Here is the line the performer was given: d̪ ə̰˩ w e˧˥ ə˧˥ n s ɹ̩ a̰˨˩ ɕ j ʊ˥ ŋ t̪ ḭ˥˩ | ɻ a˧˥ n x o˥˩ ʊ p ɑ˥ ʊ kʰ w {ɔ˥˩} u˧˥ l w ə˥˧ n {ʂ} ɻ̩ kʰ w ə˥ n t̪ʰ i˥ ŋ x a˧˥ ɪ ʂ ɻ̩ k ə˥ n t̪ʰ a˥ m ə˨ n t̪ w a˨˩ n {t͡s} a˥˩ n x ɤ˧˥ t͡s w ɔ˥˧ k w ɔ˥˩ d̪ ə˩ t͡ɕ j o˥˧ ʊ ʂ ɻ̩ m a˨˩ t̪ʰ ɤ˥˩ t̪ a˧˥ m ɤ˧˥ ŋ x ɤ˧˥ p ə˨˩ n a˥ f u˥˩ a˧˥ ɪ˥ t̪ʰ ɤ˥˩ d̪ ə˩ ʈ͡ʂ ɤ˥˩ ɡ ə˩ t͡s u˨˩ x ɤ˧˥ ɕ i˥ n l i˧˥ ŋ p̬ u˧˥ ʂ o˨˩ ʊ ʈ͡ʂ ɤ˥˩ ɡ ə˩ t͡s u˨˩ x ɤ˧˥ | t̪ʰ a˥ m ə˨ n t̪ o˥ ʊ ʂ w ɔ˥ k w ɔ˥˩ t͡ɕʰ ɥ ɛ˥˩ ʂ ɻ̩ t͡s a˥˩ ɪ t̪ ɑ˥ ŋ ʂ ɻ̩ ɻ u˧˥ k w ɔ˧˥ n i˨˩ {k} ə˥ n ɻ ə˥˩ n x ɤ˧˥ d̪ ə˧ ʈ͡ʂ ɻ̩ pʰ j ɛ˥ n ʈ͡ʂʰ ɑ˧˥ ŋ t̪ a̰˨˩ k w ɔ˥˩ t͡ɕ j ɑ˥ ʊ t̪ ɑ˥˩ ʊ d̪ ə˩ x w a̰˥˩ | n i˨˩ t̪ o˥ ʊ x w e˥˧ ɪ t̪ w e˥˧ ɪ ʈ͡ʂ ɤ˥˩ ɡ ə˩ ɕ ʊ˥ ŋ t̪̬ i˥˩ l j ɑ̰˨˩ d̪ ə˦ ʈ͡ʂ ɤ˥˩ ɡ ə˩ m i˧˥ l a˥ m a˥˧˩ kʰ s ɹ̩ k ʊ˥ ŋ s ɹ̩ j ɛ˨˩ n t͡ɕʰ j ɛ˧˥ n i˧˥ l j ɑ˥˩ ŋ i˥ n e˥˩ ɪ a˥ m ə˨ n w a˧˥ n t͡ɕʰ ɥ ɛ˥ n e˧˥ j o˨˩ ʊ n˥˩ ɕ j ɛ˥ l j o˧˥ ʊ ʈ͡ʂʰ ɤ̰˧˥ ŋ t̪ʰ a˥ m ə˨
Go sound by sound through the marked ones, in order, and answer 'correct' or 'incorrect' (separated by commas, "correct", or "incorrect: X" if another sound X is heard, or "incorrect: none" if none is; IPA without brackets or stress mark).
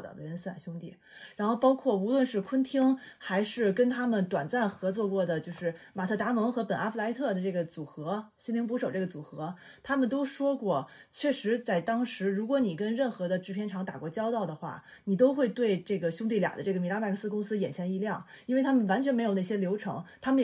correct, correct, correct, correct